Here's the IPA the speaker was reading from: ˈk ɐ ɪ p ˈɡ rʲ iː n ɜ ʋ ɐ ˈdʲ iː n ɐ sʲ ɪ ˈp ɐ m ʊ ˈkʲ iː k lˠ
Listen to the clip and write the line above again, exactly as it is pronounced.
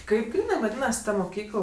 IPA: ˈk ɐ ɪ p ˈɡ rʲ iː n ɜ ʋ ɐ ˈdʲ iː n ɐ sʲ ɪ ˈt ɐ m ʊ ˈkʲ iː k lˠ